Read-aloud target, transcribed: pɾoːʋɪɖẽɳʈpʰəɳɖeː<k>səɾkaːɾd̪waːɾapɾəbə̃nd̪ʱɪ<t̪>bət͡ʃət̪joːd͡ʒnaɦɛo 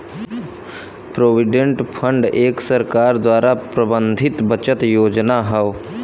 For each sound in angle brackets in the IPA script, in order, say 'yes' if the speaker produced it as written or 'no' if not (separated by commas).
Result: yes, yes